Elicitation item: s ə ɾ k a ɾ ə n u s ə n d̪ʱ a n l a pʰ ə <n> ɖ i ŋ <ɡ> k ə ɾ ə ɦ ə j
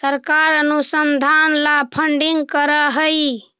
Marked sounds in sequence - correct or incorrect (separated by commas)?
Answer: incorrect, correct